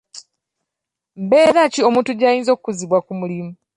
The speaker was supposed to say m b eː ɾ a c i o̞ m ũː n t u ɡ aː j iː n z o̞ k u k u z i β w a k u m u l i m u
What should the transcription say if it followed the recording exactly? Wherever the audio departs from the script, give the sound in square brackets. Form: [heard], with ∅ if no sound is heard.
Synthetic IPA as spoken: m b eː ɾ a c i o̞ m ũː n t u [ɟ] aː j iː n z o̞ k u k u z i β w a k u m u l i m u